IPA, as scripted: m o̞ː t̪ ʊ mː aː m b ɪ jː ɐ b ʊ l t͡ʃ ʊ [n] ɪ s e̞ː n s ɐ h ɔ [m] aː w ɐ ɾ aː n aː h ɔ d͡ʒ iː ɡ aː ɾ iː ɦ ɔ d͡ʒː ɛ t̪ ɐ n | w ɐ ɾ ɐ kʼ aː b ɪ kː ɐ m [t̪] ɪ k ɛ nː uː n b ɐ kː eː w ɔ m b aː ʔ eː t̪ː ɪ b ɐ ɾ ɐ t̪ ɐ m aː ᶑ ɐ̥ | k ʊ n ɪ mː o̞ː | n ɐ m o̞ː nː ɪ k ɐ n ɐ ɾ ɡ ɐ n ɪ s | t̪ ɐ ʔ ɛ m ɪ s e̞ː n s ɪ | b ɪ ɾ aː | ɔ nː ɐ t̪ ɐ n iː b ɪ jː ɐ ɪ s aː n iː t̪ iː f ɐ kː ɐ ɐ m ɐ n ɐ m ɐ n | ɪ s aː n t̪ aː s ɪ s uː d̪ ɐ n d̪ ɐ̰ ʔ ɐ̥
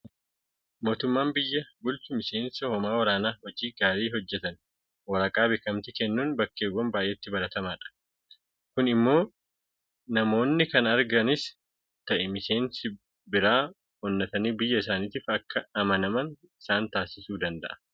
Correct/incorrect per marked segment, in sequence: incorrect: m, correct, correct

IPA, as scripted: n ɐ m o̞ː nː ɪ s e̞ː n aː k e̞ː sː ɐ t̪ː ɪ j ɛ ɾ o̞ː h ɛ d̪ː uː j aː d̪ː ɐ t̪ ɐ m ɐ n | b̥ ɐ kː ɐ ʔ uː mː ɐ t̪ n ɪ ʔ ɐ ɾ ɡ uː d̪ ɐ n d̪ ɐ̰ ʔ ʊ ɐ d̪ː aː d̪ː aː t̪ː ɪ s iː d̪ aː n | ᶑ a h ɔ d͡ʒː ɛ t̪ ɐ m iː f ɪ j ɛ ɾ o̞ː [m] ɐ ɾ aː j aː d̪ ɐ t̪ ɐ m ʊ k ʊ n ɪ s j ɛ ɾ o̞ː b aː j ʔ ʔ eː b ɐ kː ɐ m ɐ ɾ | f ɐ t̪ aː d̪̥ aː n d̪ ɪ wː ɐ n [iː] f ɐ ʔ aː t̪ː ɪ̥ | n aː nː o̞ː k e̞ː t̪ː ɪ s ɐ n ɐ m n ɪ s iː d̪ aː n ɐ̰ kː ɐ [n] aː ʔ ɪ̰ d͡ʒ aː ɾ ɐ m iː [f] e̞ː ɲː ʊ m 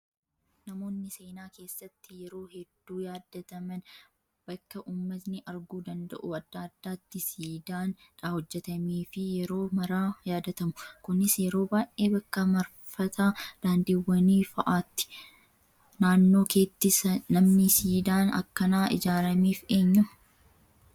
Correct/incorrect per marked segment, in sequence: correct, correct, correct, correct

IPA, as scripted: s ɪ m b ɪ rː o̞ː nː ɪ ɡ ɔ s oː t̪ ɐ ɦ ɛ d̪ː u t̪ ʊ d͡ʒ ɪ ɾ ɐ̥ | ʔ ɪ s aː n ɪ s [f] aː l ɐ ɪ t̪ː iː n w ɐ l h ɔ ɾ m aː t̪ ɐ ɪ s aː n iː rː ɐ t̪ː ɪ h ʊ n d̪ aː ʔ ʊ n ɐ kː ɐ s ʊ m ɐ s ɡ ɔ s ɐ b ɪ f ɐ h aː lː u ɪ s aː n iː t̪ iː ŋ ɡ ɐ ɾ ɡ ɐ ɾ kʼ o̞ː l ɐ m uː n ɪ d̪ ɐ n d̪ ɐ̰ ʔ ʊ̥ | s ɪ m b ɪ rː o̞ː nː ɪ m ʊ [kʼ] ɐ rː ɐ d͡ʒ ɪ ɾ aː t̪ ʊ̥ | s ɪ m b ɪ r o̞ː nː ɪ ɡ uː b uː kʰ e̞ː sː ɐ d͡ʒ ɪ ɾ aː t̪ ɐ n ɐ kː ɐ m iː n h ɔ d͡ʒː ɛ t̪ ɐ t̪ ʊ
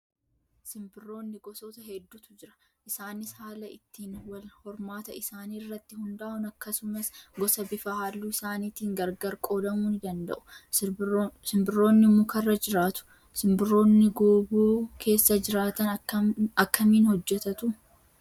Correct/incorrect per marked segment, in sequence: incorrect: h, incorrect: k

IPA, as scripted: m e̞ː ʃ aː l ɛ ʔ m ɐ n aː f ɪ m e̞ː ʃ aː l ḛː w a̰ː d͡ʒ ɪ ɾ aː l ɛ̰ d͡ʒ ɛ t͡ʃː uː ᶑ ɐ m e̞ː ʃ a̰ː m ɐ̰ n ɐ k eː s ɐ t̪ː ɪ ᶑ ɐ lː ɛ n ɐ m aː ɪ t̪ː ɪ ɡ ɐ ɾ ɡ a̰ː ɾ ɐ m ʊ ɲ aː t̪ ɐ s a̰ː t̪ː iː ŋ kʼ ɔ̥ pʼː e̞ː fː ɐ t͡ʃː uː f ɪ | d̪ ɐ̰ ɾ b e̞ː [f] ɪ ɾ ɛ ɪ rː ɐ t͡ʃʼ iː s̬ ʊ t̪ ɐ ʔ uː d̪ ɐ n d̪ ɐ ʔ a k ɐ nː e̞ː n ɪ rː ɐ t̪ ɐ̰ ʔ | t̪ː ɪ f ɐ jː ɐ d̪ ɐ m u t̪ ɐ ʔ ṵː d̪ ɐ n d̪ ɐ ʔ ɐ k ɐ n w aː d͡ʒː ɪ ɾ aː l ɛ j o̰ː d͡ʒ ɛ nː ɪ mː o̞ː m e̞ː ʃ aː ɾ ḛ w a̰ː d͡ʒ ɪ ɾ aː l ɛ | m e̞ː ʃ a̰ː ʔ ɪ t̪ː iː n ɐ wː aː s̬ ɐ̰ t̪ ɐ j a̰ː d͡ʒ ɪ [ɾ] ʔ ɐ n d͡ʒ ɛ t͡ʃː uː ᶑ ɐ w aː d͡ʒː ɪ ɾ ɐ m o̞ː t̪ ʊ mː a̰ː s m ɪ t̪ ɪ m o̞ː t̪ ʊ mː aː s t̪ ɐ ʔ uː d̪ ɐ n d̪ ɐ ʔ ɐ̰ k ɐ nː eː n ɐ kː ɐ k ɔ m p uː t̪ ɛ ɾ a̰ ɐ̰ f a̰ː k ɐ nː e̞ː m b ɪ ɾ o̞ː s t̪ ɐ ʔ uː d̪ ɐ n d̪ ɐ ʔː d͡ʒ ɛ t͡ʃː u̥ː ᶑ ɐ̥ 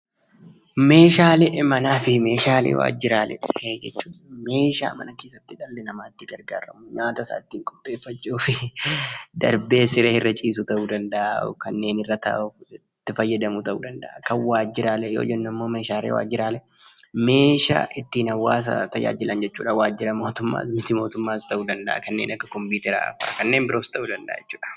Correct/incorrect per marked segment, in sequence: incorrect: s, incorrect: l

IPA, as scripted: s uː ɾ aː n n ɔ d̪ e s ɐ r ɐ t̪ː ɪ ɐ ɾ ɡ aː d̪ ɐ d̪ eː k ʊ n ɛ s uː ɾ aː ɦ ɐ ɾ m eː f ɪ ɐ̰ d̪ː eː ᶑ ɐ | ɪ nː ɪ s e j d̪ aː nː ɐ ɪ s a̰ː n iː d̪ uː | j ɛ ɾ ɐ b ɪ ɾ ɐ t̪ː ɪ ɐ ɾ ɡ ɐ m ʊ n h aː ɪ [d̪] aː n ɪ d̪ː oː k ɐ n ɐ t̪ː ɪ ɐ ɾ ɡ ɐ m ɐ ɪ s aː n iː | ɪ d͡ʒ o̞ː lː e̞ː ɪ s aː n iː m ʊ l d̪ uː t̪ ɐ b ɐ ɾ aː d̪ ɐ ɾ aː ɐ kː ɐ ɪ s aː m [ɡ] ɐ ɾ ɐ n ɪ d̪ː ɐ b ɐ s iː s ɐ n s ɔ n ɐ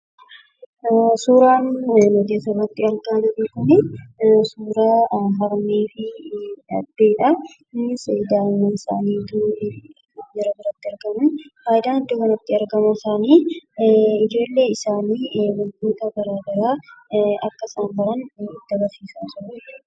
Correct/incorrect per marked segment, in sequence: correct, incorrect: b

